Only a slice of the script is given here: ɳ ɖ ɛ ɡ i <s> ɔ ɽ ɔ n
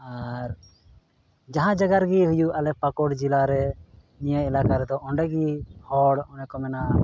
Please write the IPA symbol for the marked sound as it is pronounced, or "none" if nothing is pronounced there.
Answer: h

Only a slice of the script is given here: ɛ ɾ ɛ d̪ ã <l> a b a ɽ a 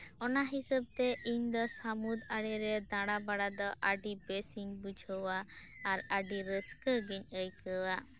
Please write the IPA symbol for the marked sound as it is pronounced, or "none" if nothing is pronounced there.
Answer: ɽ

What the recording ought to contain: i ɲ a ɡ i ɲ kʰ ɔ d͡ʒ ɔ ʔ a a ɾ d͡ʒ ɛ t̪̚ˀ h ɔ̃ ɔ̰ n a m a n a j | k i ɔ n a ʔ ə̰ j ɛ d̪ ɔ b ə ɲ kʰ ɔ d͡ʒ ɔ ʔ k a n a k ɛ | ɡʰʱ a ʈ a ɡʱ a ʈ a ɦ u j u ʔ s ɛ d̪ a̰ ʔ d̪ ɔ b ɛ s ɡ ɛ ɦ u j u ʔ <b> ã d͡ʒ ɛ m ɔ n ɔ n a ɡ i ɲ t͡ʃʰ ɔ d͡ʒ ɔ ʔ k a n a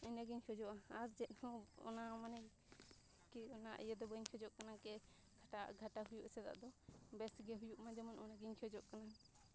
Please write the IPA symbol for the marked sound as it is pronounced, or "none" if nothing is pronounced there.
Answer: m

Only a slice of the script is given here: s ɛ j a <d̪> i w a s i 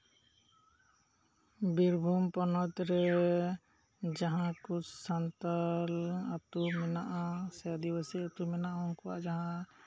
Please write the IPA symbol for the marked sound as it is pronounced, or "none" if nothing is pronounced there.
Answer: d̪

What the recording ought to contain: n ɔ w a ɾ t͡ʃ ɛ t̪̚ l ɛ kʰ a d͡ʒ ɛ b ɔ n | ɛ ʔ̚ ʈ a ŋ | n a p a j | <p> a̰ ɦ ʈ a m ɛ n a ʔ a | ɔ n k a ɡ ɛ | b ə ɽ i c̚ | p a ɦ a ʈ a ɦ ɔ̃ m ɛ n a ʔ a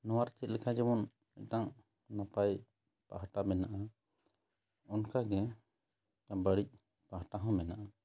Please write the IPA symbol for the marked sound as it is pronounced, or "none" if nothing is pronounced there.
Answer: p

